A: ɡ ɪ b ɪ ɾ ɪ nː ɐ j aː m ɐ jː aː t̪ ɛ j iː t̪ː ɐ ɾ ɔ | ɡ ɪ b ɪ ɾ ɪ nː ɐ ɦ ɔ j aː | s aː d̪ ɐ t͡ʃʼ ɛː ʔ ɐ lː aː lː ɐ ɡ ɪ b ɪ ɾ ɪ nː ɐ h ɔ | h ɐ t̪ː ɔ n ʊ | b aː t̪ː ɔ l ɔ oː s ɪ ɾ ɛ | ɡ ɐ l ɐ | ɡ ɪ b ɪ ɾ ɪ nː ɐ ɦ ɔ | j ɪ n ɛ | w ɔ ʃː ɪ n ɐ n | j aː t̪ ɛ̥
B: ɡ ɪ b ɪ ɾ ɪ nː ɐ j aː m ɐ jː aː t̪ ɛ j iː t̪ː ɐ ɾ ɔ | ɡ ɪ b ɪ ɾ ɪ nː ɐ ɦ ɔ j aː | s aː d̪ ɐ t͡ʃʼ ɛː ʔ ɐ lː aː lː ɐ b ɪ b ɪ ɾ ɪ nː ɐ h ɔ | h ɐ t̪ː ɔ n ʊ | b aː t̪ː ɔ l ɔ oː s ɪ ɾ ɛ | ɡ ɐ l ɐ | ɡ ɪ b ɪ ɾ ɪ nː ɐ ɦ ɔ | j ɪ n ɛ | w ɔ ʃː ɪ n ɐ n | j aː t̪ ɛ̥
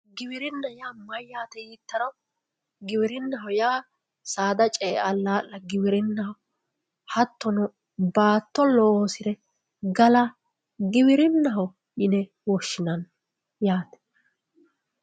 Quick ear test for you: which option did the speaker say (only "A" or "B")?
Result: A